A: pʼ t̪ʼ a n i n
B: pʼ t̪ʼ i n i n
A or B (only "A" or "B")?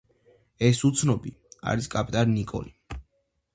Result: A